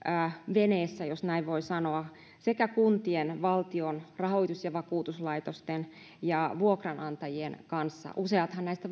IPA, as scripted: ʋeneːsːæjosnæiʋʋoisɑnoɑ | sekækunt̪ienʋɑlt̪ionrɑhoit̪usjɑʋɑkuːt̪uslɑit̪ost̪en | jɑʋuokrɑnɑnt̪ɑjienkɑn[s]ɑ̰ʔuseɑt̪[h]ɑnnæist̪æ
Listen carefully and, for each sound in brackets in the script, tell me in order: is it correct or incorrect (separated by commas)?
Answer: incorrect, correct